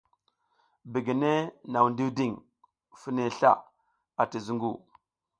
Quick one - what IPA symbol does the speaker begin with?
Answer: b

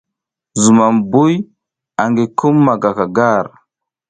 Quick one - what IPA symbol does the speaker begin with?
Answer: z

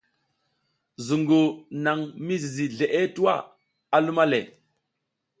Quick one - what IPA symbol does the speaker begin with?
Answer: z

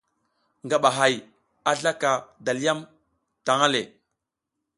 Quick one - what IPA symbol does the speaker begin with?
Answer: ŋ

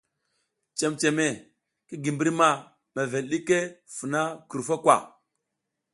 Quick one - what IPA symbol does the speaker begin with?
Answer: t͡ʃ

